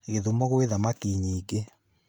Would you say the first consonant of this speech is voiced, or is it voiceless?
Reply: voiced